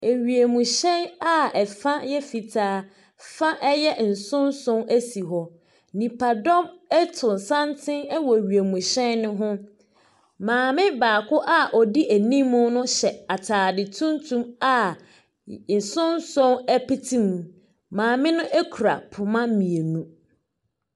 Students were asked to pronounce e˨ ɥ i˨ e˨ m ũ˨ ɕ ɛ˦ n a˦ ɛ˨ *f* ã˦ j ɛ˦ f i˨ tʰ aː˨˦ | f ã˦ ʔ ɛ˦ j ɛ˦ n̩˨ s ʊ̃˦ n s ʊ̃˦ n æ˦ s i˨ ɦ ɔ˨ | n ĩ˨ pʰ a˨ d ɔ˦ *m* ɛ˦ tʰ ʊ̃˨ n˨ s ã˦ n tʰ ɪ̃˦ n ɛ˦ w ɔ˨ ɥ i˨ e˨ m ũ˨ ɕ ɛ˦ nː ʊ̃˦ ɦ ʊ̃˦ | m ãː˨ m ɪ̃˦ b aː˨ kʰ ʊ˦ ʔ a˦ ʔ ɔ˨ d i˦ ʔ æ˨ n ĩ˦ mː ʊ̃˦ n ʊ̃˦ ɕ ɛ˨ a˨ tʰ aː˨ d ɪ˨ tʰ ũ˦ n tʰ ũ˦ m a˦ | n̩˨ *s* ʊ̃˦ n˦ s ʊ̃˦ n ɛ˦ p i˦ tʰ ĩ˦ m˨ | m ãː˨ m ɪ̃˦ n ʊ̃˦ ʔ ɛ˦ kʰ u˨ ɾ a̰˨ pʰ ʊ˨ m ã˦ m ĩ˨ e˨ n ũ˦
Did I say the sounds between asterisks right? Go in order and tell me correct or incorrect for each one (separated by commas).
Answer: correct, correct, correct